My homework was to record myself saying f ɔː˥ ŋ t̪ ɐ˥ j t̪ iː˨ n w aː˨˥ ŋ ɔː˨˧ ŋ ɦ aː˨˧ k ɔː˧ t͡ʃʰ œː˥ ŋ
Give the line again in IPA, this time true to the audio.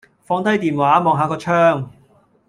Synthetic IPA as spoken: f ɔː˧ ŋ t̪ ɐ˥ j t̪ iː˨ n w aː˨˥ m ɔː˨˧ ŋ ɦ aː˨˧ k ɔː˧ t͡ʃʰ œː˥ ŋ

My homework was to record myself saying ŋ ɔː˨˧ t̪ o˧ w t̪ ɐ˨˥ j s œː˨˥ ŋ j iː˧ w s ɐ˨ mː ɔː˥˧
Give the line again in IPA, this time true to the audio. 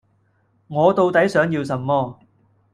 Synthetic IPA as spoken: ŋ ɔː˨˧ t̪ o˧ w t̪ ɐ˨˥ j s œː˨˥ ŋ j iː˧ w s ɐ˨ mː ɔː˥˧

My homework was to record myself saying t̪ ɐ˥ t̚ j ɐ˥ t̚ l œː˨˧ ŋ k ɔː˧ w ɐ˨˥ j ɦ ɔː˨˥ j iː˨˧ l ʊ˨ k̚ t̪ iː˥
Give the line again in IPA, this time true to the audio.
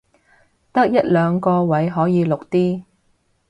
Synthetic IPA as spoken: t̪ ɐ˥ k̚ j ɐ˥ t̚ l œː˨˧ ŋ k ɔː˧ w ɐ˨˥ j ɦ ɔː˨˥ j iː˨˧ l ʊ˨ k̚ t̪ iː˥

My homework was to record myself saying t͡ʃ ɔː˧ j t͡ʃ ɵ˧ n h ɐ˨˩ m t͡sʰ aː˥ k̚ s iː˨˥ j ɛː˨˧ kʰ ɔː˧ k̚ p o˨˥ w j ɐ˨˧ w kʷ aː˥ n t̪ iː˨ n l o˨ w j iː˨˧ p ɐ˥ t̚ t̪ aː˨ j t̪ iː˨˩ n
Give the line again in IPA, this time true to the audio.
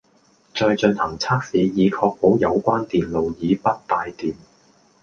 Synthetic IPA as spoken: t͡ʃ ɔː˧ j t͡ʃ ɵ˧ n h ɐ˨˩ ŋ t͡sʰ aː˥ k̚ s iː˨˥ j iː˨˧ kʰ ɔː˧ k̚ p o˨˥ w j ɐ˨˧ w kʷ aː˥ n t̪ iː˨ n l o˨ w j iː˨˧ p ɐ˥ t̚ t̪ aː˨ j t̪ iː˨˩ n

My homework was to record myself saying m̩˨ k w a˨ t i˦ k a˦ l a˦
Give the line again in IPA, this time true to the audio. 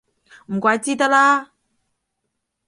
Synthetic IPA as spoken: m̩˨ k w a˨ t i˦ t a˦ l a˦

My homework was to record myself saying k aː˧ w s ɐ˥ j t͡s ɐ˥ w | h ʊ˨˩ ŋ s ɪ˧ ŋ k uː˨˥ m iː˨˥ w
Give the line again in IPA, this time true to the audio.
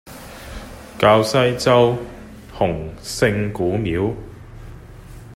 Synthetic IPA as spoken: k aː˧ w s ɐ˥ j t͡s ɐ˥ w | h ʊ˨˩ ŋ s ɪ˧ ŋ k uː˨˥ m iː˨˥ w

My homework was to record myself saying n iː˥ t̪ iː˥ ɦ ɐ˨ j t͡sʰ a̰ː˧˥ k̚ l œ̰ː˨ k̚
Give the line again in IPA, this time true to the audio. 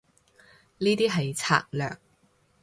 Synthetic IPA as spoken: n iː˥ t̪ iː˥ ɦ ɐ˨ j t͡sʰ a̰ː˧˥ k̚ l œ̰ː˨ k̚

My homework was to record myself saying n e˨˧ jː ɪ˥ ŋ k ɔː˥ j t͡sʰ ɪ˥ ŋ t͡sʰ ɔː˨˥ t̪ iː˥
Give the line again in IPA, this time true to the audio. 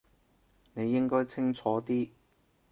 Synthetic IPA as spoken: n e˨˧ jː ɪ˥ ŋ k ɔː˥ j t͡sʰ ɪ˥ ŋ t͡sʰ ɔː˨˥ t̪ iː˥

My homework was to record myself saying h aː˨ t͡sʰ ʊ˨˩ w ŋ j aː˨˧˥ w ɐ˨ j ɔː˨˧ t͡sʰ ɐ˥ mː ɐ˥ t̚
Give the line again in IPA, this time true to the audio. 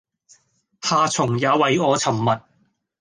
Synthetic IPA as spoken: h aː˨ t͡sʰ ʊ˨˩ ŋ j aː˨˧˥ w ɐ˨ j ɔː˨˧ t͡sʰ ɐ˨˩ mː ɐ˨ t̚

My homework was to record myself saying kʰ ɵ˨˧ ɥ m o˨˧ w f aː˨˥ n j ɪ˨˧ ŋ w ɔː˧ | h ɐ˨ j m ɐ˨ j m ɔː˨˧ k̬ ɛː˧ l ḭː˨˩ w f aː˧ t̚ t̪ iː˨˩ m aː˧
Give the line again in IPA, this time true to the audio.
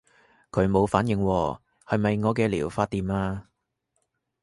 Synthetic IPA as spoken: kʰ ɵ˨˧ ɥ m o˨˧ w f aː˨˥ n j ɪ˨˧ ŋ w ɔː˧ | h ɐ˨ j m ɐ˨ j ŋ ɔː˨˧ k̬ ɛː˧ l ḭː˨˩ w f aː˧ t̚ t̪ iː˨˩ m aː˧

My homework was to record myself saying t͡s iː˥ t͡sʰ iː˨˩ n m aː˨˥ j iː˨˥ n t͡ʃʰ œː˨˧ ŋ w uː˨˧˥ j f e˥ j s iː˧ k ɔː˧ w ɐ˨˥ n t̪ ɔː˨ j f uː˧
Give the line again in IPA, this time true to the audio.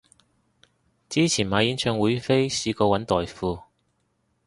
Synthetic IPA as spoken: t͡s iː˥ t͡sʰ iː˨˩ n m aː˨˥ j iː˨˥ n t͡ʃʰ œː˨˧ ŋ w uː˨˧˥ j f e˥ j s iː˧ k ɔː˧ w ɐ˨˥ n t̪ ɔː˨ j f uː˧

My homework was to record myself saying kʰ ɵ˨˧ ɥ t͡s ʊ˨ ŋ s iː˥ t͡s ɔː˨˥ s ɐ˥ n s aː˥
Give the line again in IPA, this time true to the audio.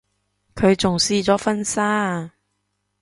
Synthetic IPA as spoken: kʰ ɵ˨˧ ɥ t͡s ʊ˨ ŋ s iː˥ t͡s ɔː˨˥ f ɐ˥ n s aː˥

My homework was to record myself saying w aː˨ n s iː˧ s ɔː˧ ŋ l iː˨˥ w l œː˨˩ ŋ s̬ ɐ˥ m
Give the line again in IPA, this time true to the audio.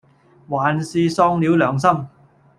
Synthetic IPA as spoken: w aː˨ n s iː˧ s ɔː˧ ŋ l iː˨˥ w l œː˨˩ ŋ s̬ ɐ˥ m

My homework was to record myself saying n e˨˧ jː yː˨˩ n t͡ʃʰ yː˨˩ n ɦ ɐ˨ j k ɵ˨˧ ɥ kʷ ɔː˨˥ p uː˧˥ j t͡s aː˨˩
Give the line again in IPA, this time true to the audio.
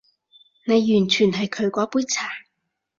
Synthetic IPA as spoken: n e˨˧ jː yː˨˩ n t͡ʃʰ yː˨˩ n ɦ ɐ˨ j kʰ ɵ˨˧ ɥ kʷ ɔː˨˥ p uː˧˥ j t͡sʰ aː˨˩

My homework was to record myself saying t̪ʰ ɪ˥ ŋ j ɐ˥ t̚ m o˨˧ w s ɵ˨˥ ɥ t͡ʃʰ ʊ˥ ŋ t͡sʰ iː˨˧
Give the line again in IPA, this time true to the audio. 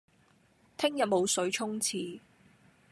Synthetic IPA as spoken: t̪ʰ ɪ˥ ŋ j ɐ˨ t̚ m o˨˧ w s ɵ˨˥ ɥ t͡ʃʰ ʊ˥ ŋ t͡sʰ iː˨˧

